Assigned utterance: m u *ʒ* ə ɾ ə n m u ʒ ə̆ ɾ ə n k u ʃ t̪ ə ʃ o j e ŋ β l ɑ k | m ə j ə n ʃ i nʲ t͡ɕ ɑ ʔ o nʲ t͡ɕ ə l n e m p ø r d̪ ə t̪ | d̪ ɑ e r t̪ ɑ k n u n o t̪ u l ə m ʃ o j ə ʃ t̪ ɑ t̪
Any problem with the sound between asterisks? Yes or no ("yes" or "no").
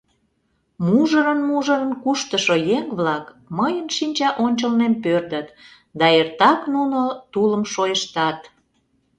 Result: no